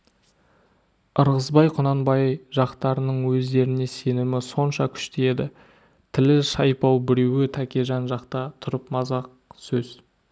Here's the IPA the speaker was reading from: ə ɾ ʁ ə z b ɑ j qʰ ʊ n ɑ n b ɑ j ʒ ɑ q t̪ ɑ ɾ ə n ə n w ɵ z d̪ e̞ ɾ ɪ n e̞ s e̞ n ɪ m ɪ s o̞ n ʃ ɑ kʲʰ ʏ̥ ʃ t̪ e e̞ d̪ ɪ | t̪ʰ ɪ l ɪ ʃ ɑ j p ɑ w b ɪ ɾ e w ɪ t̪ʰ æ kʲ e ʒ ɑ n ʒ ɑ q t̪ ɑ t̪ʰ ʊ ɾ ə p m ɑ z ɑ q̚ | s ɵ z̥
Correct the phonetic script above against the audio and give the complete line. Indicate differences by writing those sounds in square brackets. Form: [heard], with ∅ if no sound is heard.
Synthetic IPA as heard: ə ɾ ʁ ə z b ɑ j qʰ ʊ n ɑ n b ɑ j ʒ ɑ q t̪ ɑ ɾ ə n ə [ɴ] w ɵ z d̪ e̞ ɾ ɪ n e̞ s e̞ n ɪ m ɪ s o̞ n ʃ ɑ kʲʰ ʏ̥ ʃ t̪ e e̞ d̪ ɪ | t̪ʰ ɪ l ɪ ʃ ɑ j p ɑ w b ɪ ɾ e w ɪ t̪ʰ æ kʲ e ʒ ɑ n ʒ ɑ q t̪ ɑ t̪ʰ ʊ ɾ ə p m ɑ z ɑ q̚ | s ɵ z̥